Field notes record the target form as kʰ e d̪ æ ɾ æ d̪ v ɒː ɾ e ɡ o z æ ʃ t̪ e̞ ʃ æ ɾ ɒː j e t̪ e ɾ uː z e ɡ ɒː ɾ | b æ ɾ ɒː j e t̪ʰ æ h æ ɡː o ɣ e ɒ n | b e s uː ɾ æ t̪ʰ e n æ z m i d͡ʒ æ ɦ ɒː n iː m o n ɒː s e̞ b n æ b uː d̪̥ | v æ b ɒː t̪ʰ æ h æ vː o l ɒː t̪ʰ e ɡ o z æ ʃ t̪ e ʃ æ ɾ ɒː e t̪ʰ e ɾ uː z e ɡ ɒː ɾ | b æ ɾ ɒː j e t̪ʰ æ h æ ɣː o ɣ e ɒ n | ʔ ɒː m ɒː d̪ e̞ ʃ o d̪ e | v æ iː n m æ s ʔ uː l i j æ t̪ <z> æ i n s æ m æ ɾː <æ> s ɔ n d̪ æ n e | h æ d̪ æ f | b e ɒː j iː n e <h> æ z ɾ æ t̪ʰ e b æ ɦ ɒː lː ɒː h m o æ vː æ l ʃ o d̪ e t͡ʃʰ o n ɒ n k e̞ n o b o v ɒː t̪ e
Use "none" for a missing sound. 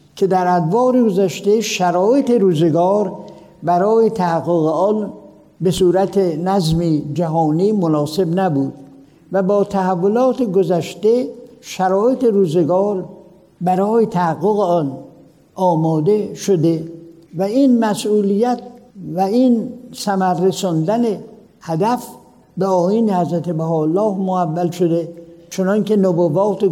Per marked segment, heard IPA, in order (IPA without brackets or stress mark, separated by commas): v, e, h